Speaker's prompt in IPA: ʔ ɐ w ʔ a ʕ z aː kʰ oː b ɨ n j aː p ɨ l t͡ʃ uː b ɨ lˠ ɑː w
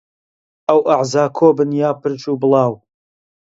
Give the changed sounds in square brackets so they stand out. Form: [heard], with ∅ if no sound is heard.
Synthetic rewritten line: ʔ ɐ w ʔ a ʕ z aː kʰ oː b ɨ n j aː p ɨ [ɾ] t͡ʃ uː b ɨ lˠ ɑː w